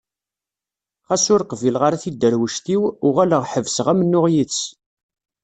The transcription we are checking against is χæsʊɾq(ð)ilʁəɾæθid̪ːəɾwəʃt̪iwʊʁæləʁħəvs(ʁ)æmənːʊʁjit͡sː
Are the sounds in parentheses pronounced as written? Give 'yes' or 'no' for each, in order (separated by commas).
no, yes